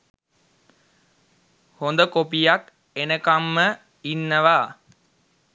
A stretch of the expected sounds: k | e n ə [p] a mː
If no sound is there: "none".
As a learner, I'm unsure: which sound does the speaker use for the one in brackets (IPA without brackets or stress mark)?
k